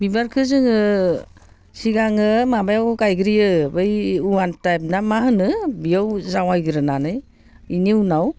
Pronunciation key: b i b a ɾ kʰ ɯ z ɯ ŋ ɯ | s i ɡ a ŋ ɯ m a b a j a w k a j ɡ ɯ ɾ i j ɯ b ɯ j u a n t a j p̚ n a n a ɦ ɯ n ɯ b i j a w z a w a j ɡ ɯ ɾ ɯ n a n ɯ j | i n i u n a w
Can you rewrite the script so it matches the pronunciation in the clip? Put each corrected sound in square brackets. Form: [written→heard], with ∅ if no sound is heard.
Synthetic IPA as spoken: b i b a ɾ kʰ ɯ z ɯ ŋ ɯ | s i ɡ a ŋ ɯ m a b a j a w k a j ɡ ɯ ɾ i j ɯ b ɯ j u a n t a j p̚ n a [n→m] a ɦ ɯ n ɯ b i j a w z a w a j ɡ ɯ ɾ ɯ n a n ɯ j | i n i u n a w